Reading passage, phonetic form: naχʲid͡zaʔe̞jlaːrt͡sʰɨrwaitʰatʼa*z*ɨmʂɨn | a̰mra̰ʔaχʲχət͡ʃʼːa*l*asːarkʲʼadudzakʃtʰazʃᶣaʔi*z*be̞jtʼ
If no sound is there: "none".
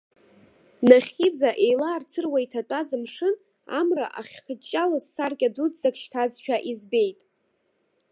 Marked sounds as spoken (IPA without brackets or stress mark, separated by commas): z, l, z